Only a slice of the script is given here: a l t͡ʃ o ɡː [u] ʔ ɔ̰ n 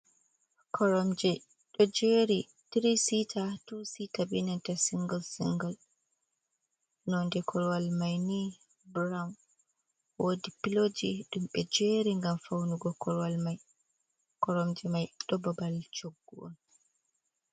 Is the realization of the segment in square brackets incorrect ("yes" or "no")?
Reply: no